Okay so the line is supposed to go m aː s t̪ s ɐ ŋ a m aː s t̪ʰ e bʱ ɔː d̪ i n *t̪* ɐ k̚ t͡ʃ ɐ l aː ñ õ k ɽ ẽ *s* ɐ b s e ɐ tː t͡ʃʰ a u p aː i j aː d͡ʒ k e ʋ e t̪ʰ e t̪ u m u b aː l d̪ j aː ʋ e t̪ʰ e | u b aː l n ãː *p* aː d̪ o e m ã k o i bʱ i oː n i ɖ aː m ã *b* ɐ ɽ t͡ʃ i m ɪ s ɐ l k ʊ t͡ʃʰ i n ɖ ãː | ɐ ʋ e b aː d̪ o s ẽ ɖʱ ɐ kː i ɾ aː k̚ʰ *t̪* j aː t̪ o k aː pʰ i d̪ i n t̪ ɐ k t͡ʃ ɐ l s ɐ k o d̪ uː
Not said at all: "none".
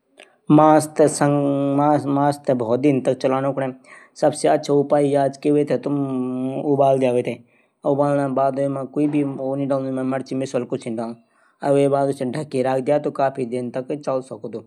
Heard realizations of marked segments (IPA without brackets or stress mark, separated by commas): t̪, s, b, m, d̪